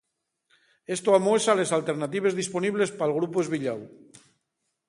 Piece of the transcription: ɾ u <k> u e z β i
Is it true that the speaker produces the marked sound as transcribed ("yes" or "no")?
no